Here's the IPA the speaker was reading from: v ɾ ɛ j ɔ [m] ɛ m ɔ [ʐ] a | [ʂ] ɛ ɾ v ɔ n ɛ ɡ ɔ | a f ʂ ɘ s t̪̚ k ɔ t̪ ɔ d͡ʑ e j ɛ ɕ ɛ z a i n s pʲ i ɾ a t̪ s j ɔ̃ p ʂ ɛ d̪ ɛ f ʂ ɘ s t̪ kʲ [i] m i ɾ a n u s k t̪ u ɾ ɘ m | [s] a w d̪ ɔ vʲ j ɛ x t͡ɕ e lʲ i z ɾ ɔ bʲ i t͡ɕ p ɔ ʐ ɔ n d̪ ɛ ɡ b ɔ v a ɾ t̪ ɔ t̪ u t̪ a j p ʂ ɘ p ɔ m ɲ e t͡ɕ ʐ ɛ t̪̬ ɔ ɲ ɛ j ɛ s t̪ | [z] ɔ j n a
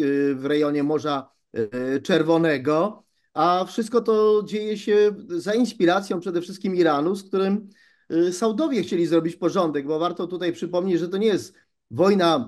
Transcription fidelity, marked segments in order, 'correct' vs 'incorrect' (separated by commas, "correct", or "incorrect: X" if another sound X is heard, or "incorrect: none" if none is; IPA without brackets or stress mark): incorrect: ɲ, correct, incorrect: t͡ʂ, correct, correct, incorrect: v